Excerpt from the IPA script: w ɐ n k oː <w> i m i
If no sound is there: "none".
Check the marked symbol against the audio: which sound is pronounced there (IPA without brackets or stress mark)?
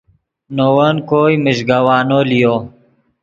none